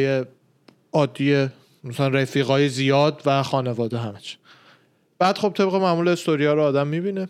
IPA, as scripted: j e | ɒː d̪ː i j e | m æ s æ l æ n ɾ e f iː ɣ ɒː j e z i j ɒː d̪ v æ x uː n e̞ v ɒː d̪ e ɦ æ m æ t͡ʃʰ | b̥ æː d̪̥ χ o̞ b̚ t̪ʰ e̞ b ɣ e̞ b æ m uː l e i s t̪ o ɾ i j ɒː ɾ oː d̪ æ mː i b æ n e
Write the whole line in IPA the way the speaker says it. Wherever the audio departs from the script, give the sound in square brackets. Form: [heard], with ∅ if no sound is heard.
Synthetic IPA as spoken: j e | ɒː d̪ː i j e | m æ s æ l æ n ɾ e f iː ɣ ɒː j e z i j ɒː d̪ v æ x [ɒː] n e̞ v ɒː d̪ e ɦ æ m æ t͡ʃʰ | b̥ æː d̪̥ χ o̞ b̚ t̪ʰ e̞ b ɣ e̞ [m] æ m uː l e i s t̪ o ɾ i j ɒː ɾ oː d̪ æ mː i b [i] n e